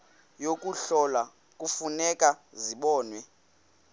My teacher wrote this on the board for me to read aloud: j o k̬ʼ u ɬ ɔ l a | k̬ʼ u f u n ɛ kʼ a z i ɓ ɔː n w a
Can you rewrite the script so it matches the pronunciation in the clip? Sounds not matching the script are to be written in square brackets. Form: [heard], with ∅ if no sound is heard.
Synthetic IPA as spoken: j o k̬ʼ u ɬ ɔ l a | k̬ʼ u f u n ɛ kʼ a z i ɓ ɔː n w [ɛ]